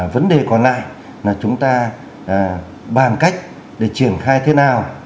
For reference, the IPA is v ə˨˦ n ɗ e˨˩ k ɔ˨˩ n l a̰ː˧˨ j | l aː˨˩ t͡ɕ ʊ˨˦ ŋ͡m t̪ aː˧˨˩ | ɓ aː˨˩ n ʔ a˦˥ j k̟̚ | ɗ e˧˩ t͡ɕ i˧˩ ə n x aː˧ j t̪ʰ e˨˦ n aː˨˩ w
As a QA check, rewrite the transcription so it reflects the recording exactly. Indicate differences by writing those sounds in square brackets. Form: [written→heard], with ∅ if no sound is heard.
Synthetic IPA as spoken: v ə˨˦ n ɗ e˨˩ k ɔ˨˩ n l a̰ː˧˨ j | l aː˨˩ t͡ɕ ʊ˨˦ ŋ͡m t̪ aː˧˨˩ | ɓ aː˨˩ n [ʔ→k] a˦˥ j k̟̚ | ɗ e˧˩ t͡ɕ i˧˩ ə n x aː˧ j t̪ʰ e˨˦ n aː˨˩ w